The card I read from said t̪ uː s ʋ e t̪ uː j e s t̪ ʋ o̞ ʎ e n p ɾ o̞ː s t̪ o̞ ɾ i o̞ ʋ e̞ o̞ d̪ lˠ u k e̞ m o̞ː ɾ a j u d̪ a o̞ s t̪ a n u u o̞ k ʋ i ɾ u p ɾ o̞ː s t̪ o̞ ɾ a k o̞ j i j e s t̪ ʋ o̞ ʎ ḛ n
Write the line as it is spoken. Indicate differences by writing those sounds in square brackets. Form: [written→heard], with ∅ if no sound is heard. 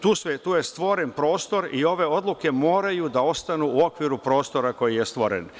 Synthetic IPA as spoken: t̪ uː s ʋ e t̪ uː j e s t̪ ʋ o̞ [ʎ→ɾ] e n p ɾ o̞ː s t̪ o̞ ɾ i o̞ ʋ e̞ o̞ d̪ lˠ u k e̞ m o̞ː ɾ a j u d̪ a o̞ s t̪ a n u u o̞ k ʋ i ɾ u p ɾ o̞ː s t̪ o̞ ɾ a k o̞ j i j e s t̪ ʋ o̞ [ʎ→ɾ] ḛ n